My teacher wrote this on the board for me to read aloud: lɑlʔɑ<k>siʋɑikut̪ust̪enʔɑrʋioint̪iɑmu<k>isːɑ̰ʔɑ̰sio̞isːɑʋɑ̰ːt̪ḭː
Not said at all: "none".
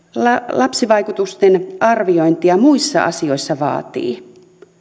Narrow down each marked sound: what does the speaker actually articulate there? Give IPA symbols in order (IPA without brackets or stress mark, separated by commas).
p, none